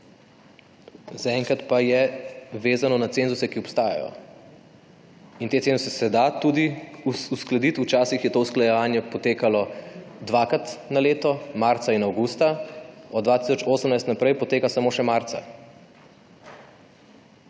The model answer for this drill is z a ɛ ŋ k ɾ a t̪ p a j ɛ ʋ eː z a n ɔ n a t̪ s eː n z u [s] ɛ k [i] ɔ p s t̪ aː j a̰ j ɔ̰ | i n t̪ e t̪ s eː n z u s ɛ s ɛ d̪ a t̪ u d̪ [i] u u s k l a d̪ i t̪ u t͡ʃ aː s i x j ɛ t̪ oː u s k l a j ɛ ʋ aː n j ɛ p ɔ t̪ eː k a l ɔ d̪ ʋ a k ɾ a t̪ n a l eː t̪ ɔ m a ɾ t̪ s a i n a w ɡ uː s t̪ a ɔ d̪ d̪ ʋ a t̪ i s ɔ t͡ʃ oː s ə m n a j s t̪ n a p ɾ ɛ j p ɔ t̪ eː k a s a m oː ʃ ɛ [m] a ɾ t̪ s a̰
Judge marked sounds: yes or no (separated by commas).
yes, yes, yes, yes